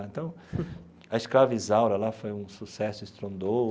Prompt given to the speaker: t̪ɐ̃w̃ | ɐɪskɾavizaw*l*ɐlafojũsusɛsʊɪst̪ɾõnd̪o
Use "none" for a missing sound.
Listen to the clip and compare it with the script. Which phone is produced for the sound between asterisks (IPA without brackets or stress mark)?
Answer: ɾ